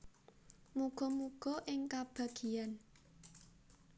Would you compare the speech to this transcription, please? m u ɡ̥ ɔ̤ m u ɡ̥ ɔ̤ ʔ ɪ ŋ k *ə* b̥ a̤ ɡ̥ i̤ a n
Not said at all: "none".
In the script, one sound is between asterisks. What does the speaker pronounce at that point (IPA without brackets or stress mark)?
a